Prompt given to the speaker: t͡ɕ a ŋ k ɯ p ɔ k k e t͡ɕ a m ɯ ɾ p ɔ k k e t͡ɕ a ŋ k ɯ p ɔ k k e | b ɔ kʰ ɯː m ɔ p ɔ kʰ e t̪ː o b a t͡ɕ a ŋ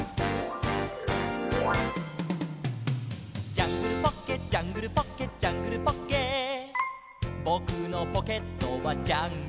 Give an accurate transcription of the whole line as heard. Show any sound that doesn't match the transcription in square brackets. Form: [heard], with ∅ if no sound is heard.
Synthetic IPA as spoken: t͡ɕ a ŋ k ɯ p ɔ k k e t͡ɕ a [ŋ] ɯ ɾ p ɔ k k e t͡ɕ a ŋ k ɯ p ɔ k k e | b ɔ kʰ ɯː [n] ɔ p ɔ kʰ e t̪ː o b a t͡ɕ a ŋ